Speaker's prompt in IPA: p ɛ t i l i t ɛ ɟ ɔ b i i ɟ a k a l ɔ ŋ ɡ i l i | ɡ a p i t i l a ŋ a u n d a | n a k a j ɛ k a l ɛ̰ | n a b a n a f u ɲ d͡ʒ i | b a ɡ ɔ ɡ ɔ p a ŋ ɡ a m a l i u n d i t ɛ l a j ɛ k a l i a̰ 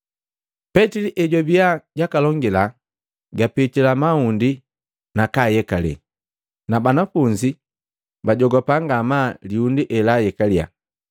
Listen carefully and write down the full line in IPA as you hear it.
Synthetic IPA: p ɛ t i l i ʔ ɛ ɟ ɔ b i a ɟ a k a l ɔ ŋ ɡ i l a | ɡ a p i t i l a m a u n d i | n a k a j ɛ k a l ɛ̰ | n a b a n a f u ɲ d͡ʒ i | b a ɟ ɔ ɡ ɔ p a ŋ ɡ a m a l i u n d i ʔ ɛ l a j ɛ k a l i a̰